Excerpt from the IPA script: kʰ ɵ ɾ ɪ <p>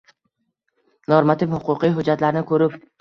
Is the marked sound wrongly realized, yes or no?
no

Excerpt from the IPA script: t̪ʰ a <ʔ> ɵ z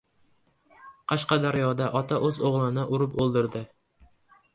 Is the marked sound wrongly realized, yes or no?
no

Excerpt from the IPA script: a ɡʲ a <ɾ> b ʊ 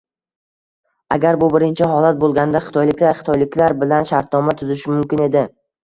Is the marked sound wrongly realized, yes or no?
no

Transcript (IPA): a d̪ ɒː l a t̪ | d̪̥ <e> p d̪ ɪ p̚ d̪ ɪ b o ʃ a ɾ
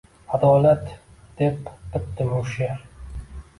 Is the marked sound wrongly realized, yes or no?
no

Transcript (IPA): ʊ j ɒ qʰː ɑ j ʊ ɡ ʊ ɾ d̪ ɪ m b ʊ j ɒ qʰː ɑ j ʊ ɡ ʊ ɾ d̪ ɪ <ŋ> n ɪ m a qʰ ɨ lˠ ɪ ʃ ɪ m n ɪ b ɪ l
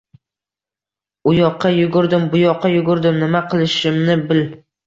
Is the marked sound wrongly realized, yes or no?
yes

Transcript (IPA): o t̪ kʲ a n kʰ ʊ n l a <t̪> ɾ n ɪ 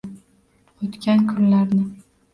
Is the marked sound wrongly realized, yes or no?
yes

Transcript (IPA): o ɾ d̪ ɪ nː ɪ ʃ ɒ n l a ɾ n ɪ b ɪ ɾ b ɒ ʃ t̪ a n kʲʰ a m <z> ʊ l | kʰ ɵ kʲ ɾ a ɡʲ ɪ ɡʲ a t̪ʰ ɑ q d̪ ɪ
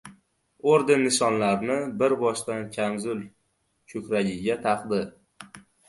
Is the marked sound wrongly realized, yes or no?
no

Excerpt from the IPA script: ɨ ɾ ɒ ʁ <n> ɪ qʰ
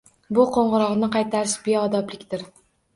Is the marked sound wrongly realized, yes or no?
no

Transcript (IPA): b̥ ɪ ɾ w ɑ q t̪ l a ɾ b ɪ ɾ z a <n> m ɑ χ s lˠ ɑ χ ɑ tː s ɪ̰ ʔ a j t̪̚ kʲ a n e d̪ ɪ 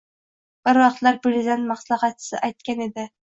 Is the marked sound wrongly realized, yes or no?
no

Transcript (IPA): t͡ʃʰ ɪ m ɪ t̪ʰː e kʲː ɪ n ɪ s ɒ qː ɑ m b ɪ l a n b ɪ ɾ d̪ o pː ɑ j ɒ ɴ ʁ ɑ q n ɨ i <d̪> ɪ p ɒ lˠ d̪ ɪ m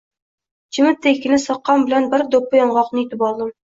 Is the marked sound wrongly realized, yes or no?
yes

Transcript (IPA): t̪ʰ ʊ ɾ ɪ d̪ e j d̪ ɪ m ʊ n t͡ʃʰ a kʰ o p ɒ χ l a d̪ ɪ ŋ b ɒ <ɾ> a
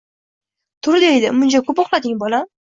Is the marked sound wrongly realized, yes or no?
yes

